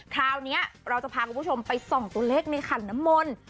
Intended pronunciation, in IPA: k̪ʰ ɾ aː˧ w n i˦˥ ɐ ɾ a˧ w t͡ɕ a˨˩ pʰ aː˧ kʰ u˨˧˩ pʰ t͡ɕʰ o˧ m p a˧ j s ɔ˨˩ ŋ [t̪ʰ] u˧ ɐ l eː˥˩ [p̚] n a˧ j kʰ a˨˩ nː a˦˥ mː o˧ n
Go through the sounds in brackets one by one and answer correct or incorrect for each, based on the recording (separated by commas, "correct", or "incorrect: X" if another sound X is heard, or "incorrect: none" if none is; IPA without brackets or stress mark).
incorrect: t̪, incorrect: k̚